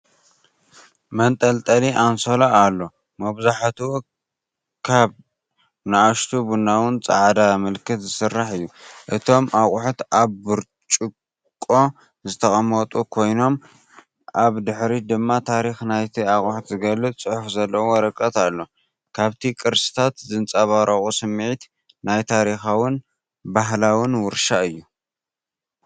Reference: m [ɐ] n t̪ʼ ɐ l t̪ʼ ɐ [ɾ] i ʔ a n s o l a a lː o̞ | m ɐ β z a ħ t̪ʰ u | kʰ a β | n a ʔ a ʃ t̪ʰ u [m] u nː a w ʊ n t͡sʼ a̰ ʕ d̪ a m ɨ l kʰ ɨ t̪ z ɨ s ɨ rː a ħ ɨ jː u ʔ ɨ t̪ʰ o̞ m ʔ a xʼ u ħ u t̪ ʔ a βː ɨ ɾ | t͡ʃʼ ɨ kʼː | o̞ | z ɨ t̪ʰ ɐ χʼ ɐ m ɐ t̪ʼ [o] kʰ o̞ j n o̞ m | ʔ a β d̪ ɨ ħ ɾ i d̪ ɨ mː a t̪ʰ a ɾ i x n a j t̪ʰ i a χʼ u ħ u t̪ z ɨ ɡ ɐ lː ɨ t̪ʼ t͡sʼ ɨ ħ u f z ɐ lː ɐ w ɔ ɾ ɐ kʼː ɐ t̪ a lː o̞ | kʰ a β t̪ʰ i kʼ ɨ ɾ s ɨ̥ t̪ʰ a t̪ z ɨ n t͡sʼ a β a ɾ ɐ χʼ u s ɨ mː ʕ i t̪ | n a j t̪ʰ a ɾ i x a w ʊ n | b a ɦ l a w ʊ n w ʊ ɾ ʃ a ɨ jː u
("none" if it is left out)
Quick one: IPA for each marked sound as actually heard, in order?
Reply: ɐ, l, b, u

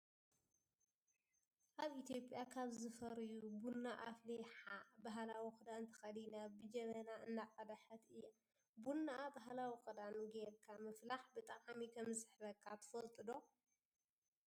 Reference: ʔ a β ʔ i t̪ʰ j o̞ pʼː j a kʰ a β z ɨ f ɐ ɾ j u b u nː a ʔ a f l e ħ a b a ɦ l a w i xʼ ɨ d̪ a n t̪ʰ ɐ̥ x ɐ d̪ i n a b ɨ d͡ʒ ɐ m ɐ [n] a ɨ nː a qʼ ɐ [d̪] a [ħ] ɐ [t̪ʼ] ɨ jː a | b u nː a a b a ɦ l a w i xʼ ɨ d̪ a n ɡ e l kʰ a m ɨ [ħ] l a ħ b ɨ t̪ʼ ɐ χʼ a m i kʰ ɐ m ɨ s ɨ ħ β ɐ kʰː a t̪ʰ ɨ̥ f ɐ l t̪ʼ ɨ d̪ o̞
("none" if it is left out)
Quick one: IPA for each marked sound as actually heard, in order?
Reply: n, d̪, ħ, t̪, f

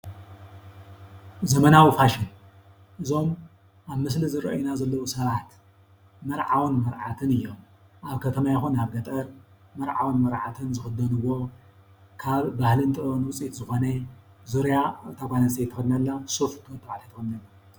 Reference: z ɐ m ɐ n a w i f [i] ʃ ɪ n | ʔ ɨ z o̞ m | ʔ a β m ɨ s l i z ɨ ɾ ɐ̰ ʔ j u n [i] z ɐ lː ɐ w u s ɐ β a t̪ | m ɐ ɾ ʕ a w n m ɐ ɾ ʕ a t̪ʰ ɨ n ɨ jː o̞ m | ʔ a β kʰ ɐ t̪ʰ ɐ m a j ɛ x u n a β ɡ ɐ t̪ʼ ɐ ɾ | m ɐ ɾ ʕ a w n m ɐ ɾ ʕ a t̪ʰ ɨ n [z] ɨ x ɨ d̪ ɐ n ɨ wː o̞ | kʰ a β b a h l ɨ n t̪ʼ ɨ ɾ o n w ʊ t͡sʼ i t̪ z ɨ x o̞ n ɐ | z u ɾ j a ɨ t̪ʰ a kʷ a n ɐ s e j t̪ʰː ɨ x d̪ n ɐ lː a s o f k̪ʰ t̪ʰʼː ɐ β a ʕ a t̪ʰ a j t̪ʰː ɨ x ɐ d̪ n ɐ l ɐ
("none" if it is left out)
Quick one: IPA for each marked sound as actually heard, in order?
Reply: a, a, z

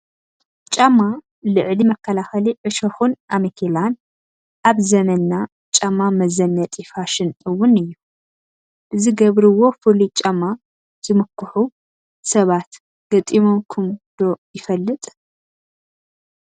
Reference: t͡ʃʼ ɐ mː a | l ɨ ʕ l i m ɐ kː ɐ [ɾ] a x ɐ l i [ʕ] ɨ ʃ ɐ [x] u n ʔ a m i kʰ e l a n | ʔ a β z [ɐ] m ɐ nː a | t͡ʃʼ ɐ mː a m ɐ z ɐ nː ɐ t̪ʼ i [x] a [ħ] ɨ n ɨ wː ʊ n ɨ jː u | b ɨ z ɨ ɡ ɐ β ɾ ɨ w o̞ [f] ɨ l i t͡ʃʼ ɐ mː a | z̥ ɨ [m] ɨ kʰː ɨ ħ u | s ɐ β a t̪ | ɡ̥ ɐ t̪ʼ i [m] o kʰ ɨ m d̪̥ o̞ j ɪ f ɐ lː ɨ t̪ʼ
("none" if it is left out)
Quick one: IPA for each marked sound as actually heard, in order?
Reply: l, ʕ, x, ɐ, f, ʃ, f, m, m

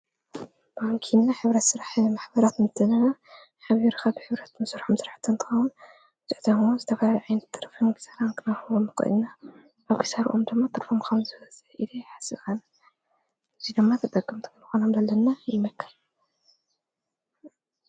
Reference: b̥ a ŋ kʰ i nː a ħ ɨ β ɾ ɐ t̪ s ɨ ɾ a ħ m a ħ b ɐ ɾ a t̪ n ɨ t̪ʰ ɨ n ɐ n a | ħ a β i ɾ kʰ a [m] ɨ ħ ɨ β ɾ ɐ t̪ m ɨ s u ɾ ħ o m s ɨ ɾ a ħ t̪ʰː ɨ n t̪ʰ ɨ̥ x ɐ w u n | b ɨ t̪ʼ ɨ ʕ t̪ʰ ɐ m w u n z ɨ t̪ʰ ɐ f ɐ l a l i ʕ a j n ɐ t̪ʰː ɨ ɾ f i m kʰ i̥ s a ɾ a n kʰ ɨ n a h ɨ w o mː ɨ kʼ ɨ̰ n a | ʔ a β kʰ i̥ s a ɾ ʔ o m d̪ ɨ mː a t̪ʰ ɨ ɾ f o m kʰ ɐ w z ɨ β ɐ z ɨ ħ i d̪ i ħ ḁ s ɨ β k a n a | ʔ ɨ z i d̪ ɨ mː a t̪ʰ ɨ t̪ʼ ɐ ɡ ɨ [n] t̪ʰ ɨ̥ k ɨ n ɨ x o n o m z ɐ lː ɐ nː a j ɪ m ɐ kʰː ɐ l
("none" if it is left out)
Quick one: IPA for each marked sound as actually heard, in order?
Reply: b, m

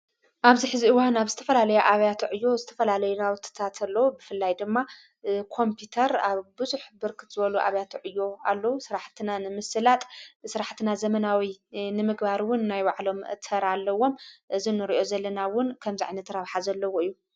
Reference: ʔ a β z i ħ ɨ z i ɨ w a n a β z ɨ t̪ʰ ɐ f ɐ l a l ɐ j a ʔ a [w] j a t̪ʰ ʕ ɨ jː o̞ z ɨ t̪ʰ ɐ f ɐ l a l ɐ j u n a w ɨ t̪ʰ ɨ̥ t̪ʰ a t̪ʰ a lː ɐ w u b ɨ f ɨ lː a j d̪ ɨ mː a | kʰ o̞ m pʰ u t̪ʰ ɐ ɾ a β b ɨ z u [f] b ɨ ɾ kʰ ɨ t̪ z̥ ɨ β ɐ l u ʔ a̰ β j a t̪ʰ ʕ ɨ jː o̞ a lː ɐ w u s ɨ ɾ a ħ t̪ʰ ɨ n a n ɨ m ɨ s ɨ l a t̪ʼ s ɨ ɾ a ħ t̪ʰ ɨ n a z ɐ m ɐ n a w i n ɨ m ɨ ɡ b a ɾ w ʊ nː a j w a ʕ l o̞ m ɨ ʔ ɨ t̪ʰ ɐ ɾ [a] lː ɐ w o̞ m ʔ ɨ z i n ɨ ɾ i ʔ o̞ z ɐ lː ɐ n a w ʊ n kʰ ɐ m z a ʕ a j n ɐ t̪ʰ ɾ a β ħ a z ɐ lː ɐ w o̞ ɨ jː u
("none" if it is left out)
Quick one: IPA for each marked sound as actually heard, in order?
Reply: β, ħ, a

